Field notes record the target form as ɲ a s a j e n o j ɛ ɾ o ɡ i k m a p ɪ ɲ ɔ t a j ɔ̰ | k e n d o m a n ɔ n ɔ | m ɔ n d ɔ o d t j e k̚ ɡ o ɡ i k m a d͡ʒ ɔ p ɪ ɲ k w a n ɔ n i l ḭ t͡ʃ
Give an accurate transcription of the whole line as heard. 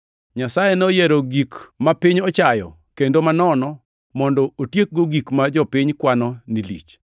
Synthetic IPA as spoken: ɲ a s a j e n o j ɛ ɾ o ɡ i k m a p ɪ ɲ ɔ t͡ʃ a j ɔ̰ | k e n d o m a n ɔ n ɔ | m ɔ n d ɔ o t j e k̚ ɡ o ɡ i k m a d͡ʒ ɔ p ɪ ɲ k w a n ɔ n i l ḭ t͡ʃ

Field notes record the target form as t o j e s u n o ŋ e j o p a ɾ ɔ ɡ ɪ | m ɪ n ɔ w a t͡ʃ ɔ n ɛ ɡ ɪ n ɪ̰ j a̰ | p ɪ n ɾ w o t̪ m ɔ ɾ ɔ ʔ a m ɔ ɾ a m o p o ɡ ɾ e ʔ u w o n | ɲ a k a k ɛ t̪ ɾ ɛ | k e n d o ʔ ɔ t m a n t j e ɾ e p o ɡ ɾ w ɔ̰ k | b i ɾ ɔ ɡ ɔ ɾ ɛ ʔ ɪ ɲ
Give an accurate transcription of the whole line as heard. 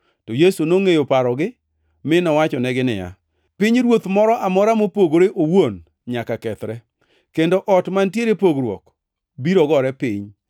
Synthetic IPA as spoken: t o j e s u n o ŋ e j o p a ɾ ɔ ɡ ɪ | m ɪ n ɔ w a t͡ʃ ɔ n ɛ ɡ ɪ n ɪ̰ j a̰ | p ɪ ɲ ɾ w o t̪ m ɔ ɾ ɔ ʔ a m ɔ ɾ a m o p o ɡ ɾ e ʔ o w o n | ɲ a k a k ɛ t̪ ɾ ɛ | k e n d o ʔ ɔ t m a n t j e ɾ e p o ɡ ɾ w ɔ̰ k | b i ɾ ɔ ɡ ɔ ɾ ɛ p ɪ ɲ

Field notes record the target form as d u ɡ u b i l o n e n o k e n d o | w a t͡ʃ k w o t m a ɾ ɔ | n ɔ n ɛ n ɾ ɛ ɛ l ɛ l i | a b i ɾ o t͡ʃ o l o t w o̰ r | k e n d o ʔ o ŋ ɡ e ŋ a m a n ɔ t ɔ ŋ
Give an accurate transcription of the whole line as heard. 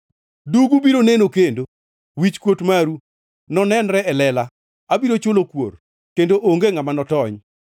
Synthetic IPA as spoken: d u ɡ u b i ɾ o n e n o k e n d o | w i t͡ʃ k w o t m a ɾ u | n ɔ n ɛ n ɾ ɛ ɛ l ɛ l a | a b i ɾ o t͡ʃ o l o k w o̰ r | k e n d o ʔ o ŋ ɡ e ŋ a m a n ɔ t ɔ ɲ

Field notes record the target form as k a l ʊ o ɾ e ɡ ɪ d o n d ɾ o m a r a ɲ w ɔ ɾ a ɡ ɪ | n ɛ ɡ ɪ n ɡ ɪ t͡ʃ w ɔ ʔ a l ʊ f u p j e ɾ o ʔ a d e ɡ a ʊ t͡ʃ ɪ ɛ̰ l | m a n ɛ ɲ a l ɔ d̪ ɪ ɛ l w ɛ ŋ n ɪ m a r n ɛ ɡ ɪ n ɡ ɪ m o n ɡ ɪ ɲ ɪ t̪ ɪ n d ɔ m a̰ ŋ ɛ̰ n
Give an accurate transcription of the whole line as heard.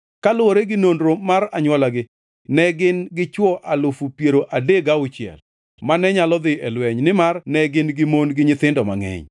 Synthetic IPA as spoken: k a l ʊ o ɾ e ɡ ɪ n o n d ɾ o m a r a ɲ w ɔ l a ɡ ɪ | n ɛ ɡ ɪ n ɡ ɪ t͡ʃ w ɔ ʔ a l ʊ f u p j e ɾ o ʔ a d e ɡ a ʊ t͡ʃ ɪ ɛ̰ l | m a n ɛ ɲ a l ɔ d̪ ɪ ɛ l w ɛ ɲ n ɪ m a r n ɛ ɡ ɪ n ɡ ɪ m o n ɡ ɪ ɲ ɪ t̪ ɪ n d ɔ m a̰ ŋ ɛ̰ ɲ

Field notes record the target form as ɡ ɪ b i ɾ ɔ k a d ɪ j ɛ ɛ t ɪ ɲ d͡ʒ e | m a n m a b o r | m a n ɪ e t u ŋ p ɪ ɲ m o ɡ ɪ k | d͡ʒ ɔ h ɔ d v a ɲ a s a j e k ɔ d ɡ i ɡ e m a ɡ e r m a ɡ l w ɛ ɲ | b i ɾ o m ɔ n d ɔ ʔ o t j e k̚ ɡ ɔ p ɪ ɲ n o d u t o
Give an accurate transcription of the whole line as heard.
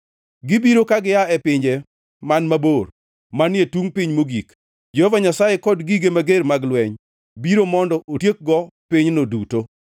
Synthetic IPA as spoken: ɡ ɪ b i ɾ o k a ɡ ɪ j a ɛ p ɪ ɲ d͡ʒ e | m a n m a b o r | m a n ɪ e t u ŋ p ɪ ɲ m o ɡ i k | d͡ʒ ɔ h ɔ v a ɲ a s a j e k ɔ d ɡ i ɡ e m a ɡ e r m a ɡ l w ɛ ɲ | b i ɾ o m ɔ n d ɔ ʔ o t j e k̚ ɡ ɔ p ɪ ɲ n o d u t o

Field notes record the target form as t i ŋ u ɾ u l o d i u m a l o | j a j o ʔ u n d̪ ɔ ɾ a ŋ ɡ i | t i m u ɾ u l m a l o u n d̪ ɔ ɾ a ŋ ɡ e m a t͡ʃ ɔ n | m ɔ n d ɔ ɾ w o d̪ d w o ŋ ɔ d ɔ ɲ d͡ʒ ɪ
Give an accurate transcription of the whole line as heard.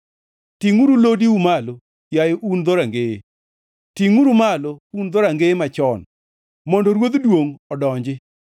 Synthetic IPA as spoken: t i ŋ u ɾ u l o d i u m a l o | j a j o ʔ u n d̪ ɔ ɾ a ŋ ɡ e | t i ŋ u ɾ u m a l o u n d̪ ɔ ɾ a ŋ ɡ e m a t͡ʃ ɔ n | m ɔ n d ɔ ɾ w o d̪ d w o ŋ ɔ d ɔ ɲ d͡ʒ ɪ

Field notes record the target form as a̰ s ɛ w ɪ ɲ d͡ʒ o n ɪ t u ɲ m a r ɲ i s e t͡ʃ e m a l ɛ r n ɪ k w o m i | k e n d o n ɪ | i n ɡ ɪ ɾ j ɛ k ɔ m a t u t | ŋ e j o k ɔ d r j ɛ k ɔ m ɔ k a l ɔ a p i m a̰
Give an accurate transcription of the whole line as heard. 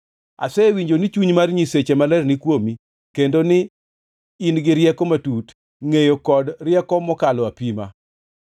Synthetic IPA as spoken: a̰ s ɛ w i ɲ d͡ʒ o n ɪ t͡ʃ u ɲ m a r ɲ i s e t͡ʃ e m a l ɛ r n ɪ k w o m i | k e n d o n ɪ | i n ɡ ɪ ɾ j ɛ k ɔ m a t u t | ŋ e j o k ɔ d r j ɛ k ɔ m ɔ k a l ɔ a p i m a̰

